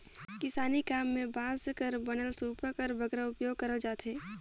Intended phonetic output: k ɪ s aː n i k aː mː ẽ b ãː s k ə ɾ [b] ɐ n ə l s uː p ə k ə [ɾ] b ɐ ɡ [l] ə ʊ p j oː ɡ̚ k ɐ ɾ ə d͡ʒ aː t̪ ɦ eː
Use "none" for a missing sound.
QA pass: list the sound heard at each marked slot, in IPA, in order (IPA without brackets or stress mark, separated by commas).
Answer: b, ɾ, ɾ